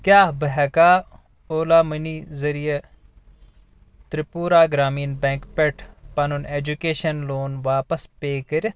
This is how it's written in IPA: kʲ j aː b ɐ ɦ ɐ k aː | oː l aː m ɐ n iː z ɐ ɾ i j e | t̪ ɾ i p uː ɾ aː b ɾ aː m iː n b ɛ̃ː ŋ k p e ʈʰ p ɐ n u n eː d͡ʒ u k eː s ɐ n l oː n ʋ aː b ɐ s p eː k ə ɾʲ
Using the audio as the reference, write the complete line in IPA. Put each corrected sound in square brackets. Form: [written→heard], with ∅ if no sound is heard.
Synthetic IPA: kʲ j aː b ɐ ɦ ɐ k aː | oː l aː m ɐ n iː z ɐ ɾ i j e | t̪ ɾ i p uː ɾ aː [b→ɡ] ɾ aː m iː n b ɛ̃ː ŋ k p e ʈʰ p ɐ n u n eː d͡ʒ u k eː [s→ʃ] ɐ n l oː n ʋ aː [b→p] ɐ s p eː k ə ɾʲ